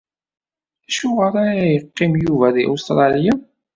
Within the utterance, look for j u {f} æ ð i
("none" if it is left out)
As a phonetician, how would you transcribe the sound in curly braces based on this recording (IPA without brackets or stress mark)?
v